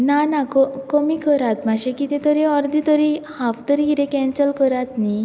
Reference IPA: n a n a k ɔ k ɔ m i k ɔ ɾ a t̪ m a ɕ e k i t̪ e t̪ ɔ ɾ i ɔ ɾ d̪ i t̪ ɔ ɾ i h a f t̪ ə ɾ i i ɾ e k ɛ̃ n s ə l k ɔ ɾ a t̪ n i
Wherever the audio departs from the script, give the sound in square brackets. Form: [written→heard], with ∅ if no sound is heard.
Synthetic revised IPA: n a n a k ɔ k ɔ m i k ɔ ɾ a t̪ m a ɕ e k i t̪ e t̪ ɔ ɾ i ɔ ɾ d̪ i t̪ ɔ ɾ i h a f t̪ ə ɾ i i ɾ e k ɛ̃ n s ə l k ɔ ɾ a t̪ n i